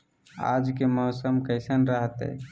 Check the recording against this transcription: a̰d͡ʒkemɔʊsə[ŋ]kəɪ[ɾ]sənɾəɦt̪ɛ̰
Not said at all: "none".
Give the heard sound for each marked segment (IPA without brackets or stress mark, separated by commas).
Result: m, none